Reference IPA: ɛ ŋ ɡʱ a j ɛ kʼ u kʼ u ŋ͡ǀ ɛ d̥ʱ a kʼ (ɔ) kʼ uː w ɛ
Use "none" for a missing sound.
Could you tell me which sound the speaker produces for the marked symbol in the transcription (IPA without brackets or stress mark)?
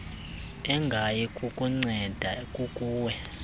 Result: u